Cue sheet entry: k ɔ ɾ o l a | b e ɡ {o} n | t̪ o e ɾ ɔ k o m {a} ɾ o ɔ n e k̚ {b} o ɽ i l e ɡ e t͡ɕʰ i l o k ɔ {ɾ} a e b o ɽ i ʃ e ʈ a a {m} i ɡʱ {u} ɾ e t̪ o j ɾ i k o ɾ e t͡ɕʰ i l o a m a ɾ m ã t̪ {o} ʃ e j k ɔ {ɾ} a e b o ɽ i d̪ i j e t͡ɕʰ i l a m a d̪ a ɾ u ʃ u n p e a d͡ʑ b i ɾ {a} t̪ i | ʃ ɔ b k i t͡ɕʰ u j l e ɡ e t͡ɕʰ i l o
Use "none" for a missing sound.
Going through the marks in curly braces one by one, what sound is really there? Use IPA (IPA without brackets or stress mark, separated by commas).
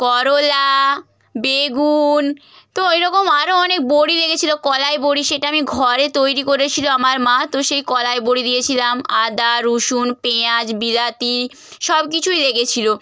u, a, b, l, m, ɔ, o, l, a